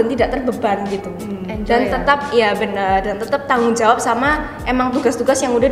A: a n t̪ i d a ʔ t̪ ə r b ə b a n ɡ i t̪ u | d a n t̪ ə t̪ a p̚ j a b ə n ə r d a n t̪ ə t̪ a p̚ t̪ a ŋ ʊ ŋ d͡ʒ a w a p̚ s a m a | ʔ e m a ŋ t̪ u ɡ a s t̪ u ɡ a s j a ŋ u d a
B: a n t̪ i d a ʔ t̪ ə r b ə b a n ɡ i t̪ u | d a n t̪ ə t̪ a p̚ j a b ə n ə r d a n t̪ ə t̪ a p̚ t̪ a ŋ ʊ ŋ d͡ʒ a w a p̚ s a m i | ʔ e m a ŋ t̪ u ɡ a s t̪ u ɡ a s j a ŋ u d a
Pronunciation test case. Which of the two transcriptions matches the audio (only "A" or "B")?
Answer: A